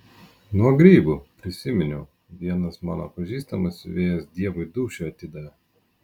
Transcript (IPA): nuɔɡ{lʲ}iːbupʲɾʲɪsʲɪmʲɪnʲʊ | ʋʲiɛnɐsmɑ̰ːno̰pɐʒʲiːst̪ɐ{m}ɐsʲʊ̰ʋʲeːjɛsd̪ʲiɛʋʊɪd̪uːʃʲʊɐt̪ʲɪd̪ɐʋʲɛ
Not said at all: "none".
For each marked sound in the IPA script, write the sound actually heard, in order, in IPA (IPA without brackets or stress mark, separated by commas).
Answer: ɾʲ, m